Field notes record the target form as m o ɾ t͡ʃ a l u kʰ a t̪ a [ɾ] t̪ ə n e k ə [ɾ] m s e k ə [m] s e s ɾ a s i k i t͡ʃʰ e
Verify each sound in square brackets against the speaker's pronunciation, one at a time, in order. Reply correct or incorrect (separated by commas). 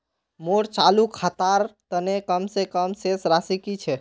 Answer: correct, incorrect, correct